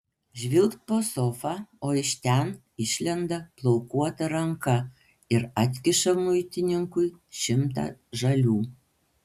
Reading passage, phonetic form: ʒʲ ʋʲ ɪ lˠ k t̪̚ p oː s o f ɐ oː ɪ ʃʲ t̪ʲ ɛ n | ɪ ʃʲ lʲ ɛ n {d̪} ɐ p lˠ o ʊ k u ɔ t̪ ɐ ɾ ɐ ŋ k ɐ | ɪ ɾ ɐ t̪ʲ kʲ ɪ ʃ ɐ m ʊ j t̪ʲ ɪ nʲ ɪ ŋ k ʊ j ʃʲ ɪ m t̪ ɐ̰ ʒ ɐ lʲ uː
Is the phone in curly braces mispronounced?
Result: no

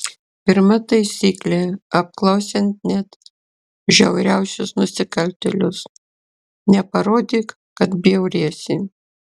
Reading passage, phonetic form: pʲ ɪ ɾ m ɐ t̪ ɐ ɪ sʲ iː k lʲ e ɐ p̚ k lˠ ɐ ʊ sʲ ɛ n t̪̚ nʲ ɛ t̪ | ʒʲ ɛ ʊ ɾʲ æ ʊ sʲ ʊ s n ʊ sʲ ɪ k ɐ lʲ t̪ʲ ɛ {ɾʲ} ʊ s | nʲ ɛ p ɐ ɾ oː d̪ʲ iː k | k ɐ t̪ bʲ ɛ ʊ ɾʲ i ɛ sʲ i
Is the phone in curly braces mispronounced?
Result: yes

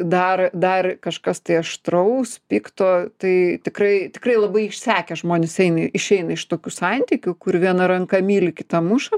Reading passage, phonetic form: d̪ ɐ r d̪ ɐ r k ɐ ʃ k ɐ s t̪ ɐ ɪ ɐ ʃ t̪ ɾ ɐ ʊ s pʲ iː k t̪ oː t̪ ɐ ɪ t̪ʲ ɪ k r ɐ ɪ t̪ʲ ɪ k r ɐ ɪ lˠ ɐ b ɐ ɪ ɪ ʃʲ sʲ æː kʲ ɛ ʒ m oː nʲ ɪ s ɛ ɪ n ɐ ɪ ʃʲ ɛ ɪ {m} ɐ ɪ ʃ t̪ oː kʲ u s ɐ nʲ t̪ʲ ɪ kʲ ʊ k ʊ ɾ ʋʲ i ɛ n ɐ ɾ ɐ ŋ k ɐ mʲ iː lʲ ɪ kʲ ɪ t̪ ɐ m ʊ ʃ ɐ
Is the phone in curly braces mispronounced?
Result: yes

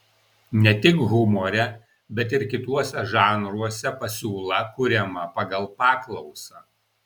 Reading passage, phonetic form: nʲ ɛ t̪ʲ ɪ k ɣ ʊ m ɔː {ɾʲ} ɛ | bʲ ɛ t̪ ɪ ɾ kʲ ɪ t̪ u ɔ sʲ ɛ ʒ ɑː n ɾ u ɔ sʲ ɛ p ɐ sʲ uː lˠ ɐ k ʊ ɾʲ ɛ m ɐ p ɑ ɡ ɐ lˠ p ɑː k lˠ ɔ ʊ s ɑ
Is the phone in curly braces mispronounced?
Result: no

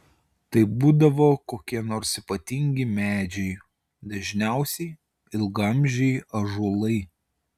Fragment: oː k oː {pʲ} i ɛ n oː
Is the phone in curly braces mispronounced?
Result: yes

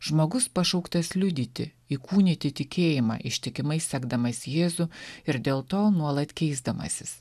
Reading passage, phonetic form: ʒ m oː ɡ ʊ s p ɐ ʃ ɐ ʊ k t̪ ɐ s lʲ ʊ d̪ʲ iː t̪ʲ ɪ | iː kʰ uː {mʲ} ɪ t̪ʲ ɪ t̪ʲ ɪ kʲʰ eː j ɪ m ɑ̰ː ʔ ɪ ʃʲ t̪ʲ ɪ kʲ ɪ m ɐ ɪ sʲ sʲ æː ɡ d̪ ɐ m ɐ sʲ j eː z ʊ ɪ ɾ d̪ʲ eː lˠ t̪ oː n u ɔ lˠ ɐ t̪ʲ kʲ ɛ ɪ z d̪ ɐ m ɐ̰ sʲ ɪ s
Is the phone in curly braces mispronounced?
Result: yes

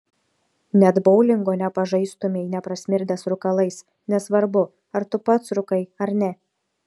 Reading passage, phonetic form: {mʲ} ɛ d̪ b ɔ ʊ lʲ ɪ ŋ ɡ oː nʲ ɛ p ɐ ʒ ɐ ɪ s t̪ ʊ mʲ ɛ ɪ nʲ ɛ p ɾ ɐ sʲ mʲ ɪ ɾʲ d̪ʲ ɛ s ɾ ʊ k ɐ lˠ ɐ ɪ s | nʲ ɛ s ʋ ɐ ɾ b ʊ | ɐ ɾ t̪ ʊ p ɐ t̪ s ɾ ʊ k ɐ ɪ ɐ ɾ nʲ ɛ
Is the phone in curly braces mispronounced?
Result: yes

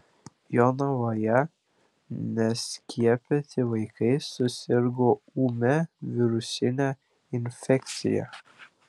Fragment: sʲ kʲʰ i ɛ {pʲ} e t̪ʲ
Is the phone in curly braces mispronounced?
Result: no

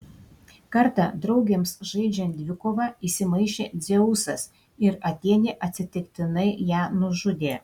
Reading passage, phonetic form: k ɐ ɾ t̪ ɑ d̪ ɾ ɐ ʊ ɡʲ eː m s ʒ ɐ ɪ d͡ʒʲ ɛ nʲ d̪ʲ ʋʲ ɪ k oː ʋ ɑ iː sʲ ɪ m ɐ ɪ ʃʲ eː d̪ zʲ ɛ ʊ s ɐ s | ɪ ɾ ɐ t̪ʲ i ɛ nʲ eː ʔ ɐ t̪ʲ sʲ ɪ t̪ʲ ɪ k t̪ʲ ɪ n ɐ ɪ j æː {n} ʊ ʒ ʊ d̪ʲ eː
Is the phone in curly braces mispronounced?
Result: no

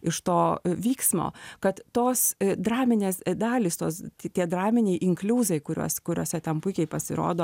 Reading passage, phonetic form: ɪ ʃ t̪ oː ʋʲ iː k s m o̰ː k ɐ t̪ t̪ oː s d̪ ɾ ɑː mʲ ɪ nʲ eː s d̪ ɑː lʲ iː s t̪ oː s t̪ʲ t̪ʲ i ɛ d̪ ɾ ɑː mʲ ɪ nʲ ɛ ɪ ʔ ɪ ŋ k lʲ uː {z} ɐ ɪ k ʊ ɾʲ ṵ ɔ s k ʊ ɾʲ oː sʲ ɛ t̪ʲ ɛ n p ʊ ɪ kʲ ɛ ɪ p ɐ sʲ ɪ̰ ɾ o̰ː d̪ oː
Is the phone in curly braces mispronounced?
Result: no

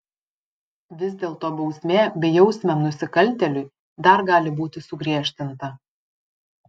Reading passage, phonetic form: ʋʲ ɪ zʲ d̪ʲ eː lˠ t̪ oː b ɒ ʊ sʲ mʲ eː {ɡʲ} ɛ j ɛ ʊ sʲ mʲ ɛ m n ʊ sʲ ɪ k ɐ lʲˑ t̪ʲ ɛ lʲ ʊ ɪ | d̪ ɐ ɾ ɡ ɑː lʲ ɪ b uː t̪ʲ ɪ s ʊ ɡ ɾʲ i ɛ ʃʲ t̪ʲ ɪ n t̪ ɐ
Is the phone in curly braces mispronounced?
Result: yes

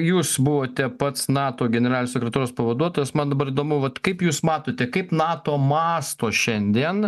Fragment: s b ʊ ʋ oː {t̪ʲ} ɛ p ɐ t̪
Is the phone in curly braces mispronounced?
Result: no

